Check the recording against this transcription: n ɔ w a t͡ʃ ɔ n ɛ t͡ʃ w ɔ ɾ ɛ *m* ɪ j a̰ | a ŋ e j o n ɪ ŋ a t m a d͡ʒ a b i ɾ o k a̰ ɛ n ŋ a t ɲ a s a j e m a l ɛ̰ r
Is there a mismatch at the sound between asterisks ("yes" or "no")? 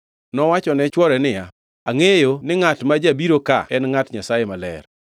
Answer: yes